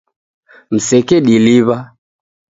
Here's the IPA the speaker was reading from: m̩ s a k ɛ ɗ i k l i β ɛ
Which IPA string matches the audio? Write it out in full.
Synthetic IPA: m̩ s ɛ k ɛ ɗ i l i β a